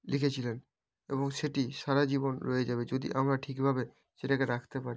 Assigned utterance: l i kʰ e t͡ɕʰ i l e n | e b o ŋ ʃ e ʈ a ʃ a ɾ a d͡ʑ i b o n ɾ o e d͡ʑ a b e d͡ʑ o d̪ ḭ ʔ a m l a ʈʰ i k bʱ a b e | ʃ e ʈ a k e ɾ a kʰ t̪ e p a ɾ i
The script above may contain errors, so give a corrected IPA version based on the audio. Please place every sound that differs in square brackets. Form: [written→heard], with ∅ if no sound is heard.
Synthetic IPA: l i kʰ e t͡ɕʰ i l e n | e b o ŋ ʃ e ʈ [a→i] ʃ a ɾ a d͡ʑ i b o n ɾ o e d͡ʑ a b e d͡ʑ o d̪ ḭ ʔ a m [l→ɾ] a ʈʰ i k bʱ a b e | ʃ e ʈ a k e ɾ a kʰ t̪ e p a ɾ i